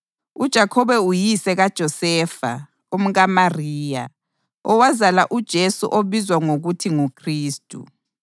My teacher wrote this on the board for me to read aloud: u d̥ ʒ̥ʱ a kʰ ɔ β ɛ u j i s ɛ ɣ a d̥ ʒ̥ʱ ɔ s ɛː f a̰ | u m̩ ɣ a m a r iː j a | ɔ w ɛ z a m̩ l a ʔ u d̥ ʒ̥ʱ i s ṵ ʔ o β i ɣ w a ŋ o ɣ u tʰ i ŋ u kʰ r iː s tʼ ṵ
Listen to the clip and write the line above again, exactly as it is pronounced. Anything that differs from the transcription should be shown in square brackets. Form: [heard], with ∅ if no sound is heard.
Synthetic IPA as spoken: u d̥ ʒ̥ʱ a kʰ ɔ β ɛ u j i s ɛ ɣ a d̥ ʒ̥ʱ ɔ s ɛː f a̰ | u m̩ ɣ a m a r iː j a | ɔ w [a] z a [∅] l a ʔ u d̥ ʒ̥ʱ [e] s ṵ ʔ o β i [z] w a ŋ o ɣ u tʰ i ŋ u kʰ r iː s tʼ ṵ